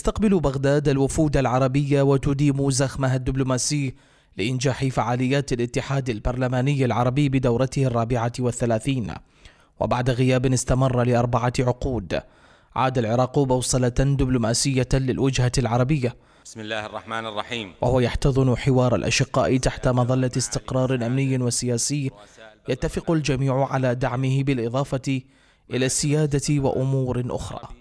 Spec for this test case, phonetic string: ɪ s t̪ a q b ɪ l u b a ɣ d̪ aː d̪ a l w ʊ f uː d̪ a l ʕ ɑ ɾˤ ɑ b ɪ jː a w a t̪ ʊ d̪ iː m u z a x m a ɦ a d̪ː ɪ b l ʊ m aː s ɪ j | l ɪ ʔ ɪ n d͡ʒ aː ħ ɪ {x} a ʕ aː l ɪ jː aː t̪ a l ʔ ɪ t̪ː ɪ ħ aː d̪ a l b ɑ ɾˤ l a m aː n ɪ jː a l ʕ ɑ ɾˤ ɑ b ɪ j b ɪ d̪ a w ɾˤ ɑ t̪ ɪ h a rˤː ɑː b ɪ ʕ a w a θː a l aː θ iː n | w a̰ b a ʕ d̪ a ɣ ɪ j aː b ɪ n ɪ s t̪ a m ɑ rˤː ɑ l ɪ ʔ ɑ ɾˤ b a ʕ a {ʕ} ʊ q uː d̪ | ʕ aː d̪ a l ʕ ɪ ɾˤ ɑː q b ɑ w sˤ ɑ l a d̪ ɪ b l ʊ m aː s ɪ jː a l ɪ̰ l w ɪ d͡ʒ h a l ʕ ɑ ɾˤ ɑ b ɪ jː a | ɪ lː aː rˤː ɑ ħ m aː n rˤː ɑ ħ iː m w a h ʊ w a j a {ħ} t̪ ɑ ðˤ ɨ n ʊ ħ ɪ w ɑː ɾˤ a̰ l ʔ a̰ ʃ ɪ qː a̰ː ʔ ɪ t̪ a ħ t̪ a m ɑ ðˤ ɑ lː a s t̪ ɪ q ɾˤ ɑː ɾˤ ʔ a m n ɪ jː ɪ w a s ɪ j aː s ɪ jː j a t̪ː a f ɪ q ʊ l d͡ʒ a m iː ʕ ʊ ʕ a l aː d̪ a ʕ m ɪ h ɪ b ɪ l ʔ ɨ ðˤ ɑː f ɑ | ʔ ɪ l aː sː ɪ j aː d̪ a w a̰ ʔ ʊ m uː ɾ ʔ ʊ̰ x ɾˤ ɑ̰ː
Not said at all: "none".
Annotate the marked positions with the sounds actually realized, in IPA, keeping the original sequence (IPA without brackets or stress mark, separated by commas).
f, ʕ, ħ